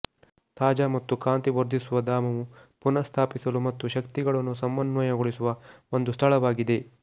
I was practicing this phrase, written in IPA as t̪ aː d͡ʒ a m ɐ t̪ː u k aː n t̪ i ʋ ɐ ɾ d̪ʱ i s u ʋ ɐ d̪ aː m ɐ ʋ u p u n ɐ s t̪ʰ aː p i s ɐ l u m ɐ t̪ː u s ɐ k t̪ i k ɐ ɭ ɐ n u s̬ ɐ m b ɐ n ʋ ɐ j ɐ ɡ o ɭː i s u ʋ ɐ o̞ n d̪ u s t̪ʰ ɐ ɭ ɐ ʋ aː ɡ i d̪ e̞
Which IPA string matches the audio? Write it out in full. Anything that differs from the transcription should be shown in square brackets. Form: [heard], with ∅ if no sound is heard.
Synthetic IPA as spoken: t̪ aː d͡ʒ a m ɐ t̪ː u k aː n t̪ i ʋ ɐ ɾ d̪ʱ i s u ʋ ɐ d̪ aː m ɐ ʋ u p u n ɐ s t̪ʰ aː p i s ɐ l u m ɐ t̪ː u [ʃ] ɐ k t̪ i [ɡ] ɐ ɭ ɐ [nː] u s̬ ɐ m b ɐ n ʋ ɐ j ɐ ɡ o [ɭ] i s u ʋ ɐ o̞ n d̪ u s t̪ʰ ɐ ɭ ɐ ʋ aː ɡ i d̪ e̞